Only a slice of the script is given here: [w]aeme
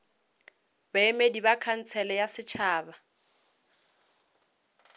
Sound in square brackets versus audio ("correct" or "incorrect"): incorrect